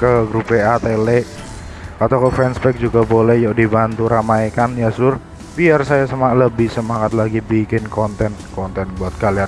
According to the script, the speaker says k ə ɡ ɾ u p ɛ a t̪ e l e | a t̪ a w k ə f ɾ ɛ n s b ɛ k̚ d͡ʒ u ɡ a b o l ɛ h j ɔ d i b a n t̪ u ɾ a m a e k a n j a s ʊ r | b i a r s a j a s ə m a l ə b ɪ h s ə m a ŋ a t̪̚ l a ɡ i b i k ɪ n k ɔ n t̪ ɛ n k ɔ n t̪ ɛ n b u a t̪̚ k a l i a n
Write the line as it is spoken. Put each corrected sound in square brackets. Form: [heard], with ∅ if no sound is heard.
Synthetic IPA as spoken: k ə ɡ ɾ u p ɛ a t̪ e l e | a t̪ a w k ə f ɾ ɛ n s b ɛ k̚ d͡ʒ u ɡ a b o l ɛ h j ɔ d i b a n t̪ u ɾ a m a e k a n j a s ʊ r | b i a r s a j a s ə m a l ə b ɪ h s ə m a ŋ a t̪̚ l a ɡ i b i k ɪ n k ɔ n t̪ ɛ n k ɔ n t̪ ɛ n b u a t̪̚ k a l i a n